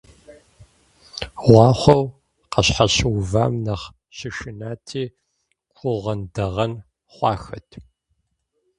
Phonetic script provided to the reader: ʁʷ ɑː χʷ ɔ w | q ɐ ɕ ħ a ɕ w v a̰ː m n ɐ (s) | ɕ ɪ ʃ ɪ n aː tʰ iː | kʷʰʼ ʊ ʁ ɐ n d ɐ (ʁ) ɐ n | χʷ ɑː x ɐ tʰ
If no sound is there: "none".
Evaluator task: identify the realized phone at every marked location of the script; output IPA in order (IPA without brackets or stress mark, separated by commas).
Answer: χ, ʁ